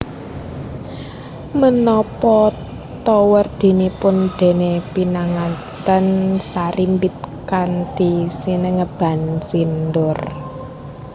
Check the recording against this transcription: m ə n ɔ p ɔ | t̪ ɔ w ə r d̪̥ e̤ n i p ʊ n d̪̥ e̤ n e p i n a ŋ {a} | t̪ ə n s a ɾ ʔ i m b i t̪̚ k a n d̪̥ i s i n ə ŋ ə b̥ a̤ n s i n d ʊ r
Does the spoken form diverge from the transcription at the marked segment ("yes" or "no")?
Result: no